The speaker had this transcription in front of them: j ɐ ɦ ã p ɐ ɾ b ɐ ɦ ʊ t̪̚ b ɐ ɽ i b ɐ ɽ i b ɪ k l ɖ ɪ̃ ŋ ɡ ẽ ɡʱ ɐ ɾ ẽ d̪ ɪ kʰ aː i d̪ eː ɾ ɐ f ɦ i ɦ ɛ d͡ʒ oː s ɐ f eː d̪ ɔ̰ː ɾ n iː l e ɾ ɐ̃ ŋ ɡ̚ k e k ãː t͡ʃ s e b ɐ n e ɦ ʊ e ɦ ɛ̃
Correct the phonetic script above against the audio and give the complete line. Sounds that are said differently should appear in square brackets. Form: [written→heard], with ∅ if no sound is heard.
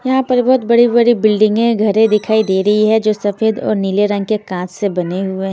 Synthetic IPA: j ɐ ɦ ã p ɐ ɾ b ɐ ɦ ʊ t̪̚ b ɐ ɽ i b ɐ ɽ i b ɪ [k→∅] l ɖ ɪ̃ ŋ ɡ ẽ ɡʱ ɐ ɾ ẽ d̪ ɪ kʰ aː i d̪ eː ɾ ɐ [f→∅] ɦ i ɦ ɛ d͡ʒ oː s ɐ f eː d̪ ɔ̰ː ɾ n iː l e ɾ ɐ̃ ŋ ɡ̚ k e k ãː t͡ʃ s e b ɐ n e ɦ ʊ e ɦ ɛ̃